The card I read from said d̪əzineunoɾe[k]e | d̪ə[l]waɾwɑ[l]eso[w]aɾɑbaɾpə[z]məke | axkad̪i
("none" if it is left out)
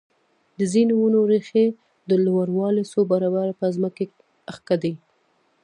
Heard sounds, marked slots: x, l, l, b, z

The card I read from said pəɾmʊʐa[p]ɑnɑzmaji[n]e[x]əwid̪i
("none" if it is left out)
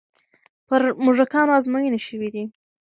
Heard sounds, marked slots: k, n, ʃ

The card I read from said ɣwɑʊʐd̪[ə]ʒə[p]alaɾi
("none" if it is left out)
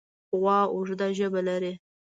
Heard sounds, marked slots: a, b

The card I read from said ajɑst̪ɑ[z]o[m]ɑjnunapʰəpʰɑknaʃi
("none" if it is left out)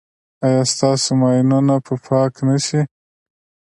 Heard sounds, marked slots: s, m

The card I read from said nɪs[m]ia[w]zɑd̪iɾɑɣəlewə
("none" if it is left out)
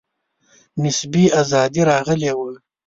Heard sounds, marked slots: b, none

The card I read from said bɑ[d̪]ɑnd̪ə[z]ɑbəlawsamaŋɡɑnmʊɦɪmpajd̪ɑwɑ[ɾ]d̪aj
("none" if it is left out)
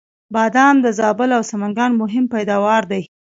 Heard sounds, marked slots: d̪, z, ɾ

